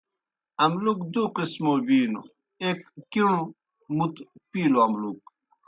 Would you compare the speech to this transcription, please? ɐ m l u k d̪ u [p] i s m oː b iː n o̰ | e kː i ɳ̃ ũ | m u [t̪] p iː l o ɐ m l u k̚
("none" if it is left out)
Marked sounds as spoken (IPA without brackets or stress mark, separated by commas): q, t̪